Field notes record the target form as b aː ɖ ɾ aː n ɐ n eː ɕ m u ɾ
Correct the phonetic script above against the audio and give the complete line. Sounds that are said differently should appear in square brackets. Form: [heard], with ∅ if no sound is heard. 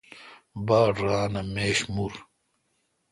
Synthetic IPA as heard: b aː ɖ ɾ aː n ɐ [m] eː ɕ m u ɾ